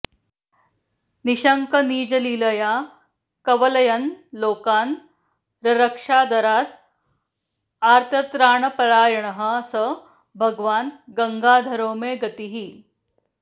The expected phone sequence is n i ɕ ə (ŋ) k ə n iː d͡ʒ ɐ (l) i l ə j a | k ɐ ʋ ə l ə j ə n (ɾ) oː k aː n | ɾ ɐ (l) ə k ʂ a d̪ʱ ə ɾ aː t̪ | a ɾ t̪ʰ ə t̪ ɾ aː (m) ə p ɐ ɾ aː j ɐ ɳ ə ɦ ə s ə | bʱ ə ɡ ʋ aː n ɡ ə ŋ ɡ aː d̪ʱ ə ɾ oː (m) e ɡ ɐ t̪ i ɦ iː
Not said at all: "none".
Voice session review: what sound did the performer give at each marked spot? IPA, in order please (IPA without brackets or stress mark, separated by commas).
ŋ, l, l, ɾ, ɳ, m